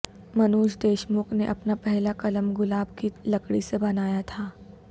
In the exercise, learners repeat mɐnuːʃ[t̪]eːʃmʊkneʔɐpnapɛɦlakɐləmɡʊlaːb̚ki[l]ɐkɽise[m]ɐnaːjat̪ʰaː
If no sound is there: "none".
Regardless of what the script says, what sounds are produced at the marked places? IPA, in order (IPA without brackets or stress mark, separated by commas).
d̪, l, b